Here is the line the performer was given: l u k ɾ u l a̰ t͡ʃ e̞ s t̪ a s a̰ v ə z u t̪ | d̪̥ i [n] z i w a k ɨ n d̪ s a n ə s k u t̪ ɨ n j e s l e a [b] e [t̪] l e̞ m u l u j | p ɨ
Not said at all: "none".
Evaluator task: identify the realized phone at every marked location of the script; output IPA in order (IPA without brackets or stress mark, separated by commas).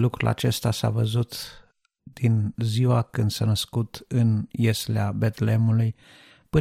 n, b, t̪